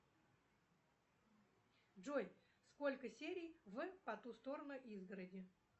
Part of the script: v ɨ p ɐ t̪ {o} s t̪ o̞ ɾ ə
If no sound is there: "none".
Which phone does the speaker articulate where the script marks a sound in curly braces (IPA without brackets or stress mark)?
u